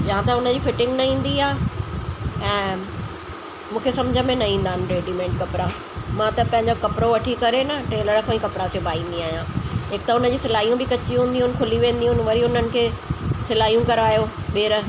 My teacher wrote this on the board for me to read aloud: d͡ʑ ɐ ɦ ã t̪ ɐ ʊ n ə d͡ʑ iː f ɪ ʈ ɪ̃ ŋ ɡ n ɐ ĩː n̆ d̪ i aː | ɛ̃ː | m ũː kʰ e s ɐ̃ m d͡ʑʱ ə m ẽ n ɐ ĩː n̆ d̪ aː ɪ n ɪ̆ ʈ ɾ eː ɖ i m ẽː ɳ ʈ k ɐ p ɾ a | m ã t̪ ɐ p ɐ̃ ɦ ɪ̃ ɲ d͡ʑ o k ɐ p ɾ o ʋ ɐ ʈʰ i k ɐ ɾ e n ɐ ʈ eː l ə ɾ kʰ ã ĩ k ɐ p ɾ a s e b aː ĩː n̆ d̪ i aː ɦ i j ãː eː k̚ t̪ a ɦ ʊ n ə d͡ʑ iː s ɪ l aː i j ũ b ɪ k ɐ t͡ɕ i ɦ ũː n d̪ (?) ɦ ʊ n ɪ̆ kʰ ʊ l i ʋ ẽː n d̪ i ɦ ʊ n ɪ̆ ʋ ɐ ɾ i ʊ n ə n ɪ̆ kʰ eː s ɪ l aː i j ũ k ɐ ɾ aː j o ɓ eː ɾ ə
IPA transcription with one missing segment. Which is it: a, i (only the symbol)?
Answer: i